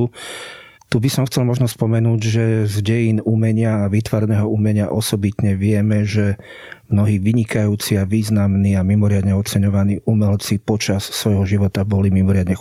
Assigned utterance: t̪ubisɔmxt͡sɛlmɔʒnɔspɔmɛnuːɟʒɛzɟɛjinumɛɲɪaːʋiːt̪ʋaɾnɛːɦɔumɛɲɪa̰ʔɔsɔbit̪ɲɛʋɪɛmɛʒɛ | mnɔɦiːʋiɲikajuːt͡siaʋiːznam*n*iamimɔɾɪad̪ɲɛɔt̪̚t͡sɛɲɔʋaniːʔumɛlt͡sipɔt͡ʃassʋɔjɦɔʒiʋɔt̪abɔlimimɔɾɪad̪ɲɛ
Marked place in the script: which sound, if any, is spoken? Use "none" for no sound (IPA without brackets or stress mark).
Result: n